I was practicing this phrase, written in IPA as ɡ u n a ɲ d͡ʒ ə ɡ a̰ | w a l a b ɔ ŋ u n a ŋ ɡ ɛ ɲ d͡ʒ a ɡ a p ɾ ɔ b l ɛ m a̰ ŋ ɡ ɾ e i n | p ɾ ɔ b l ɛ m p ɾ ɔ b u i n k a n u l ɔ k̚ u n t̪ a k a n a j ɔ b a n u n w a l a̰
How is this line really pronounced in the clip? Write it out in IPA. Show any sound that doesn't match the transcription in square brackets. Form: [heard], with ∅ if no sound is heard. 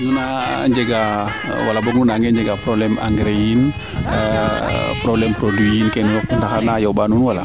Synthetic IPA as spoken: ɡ u n a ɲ d͡ʒ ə ɡ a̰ | w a l a b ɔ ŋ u n a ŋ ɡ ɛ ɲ d͡ʒ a ɡ a p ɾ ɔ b l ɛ m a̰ ŋ ɡ ɾ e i n | p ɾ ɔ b l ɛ m p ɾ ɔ [d] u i n k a n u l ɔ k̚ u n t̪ a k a n a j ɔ b a n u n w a l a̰